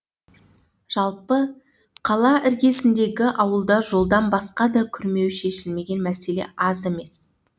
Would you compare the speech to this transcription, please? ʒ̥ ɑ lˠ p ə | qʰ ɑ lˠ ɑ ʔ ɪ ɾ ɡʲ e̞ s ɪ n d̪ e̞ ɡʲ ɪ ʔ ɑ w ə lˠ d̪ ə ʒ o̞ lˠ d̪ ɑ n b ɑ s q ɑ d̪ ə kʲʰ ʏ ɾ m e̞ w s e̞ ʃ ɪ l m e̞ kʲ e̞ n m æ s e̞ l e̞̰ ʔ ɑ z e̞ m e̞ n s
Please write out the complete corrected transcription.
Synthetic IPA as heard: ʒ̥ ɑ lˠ p ə | qʰ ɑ lˠ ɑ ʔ ɪ ɾ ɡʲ e̞ s ɪ n d̪ e̞ ɡʲ ɪ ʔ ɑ w ə lˠ d̪ ɑ ʒ o̞ lˠ d̪ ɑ n b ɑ s q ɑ d̪ ɑ kʲʰ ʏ ɾ m e̞ w ʃ e̞ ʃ ɪ l m e̞ ɡʲ e̞ n m æ s e̞ l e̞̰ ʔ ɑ z e̞ m e̞ s

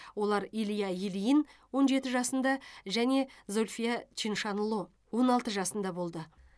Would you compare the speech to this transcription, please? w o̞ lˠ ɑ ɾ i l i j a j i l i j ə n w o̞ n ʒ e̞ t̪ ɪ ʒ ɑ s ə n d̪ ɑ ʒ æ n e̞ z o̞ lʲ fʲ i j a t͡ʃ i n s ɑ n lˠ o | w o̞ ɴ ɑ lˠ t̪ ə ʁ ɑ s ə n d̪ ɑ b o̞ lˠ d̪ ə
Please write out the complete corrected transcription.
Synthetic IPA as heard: w o̞ lˠ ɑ ɾ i l i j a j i l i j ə n w o̞ n ʒ e̞ t̪ ɪ ʒ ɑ s ə n d̪ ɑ ʒ æ n e̞ z o̞ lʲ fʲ i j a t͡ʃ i n ʃ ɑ n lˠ o | w o̞ n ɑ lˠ t̪ ə ʒ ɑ s ə n d̪ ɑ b o̞ lˠ d̪ ə

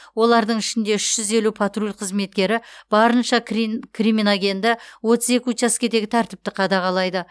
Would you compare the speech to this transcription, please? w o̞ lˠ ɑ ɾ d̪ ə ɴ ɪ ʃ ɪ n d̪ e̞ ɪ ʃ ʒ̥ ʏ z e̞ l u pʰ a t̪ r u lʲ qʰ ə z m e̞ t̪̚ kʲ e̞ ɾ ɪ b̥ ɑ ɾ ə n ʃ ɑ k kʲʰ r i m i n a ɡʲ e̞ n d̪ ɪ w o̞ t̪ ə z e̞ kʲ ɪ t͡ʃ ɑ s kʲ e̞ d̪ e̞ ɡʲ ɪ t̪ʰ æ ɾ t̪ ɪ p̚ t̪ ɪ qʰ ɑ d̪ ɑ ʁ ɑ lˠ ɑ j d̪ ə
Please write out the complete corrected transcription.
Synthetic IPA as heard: w o̞ lˠ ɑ ɾ d̪ ə ɴ ɪ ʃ ɪ n d̪ e̞ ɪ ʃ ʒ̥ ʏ z e̞ l u pʰ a t̪ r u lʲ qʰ ə z m e̞ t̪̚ kʲ e̞ ɾ ɪ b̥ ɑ ɾ ə n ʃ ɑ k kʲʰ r i m i n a ɡʲ e̞ n d̪ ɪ w o̞ t̪ ə z e̞ kʲ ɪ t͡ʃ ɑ s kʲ e̞ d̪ e̞ ɡʲ ɪ t̪ʰ æ ɾ t̪ ɪ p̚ t̪ ɪ qʰ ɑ d̪ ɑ ʁ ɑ lˠ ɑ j d̪ ə

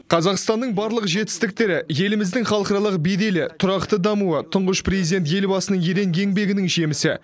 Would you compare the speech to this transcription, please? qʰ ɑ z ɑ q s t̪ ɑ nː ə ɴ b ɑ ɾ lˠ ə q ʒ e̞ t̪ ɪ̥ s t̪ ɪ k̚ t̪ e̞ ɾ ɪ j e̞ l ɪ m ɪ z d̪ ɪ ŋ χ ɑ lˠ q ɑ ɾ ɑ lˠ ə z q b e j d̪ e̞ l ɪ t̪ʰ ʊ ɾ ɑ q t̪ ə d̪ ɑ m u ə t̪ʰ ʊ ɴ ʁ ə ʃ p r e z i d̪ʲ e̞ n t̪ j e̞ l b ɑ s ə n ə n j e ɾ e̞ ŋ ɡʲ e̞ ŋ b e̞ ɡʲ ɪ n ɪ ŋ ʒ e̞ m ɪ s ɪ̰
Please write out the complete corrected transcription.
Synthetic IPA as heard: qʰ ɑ z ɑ q s t̪ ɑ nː ə ɴ b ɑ ɾ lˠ ə q ʒ e̞ t̪ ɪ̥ s t̪ ɪ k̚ t̪ e̞ ɾ ɪ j e̞ l ɪ m ɪ z d̪ ɪ ŋ χ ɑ lˠ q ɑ ɾ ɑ lˠ ə q b e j d̪ e̞ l ɪ t̪ʰ ʊ ɾ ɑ q t̪ ə d̪ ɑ m u ə t̪ʰ ʊ ɴ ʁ ə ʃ p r e z i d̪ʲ e̞ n t̪ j e̞ l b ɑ s ə n ə ɴ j e ɾ e̞ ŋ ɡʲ e̞ ŋ b e̞ ɡʲ ɪ n ɪ ŋ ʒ e̞ m ɪ s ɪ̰

